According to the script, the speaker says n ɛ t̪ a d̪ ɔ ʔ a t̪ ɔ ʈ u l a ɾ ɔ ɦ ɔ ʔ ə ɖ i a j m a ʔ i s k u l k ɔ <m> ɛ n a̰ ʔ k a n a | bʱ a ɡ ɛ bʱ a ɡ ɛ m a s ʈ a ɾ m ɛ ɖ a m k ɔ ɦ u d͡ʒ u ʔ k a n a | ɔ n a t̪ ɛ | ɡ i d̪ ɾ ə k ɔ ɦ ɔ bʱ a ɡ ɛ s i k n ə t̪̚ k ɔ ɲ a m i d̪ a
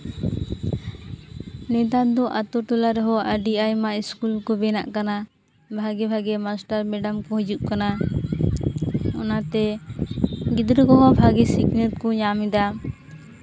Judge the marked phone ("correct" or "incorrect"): incorrect